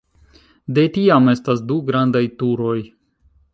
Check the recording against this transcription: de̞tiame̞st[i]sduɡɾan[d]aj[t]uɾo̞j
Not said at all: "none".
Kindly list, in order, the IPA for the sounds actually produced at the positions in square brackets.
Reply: a, d, t

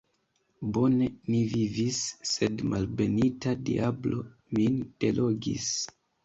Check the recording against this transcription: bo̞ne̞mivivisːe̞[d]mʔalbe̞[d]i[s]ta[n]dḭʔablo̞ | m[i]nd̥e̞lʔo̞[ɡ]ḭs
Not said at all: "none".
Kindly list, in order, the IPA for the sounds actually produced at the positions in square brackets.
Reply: d, n, none, none, i, ɡ

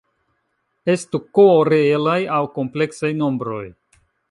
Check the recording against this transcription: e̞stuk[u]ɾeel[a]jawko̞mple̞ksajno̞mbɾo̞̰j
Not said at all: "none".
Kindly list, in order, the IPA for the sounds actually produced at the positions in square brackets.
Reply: o, a

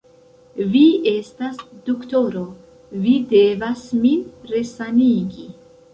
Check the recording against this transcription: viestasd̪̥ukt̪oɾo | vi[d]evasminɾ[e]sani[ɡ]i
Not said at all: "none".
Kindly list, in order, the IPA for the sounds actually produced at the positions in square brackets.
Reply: d, e, ɡ

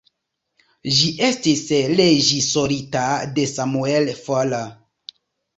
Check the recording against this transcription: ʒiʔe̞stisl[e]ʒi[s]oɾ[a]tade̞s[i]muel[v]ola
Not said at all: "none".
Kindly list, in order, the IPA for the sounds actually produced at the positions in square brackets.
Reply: e, s, i, a, f

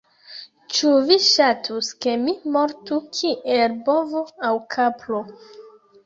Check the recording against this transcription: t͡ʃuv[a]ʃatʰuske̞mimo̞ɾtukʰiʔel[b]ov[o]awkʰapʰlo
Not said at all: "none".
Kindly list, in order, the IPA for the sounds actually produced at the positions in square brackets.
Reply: i, b, o

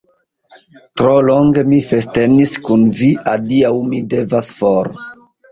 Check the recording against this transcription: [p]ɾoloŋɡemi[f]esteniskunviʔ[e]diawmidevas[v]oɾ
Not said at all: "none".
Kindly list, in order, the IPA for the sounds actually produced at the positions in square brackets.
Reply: t, f, a, f

